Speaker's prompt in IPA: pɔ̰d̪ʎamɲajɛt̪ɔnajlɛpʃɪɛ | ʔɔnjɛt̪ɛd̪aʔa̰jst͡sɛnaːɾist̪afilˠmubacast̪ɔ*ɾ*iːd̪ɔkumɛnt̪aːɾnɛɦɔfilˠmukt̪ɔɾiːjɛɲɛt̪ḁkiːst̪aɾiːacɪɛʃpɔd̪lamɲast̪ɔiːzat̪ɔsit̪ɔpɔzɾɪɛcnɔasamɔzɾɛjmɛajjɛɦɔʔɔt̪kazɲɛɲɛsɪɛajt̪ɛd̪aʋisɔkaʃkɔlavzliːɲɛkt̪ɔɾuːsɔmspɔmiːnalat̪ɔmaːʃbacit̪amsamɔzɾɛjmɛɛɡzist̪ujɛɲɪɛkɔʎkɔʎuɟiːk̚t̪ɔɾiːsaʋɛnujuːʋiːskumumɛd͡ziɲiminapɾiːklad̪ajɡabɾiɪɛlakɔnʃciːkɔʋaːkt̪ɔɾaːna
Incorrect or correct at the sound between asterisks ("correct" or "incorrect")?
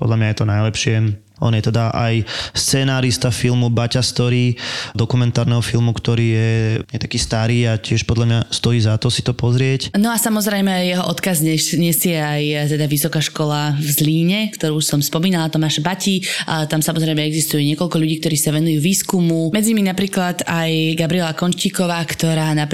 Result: correct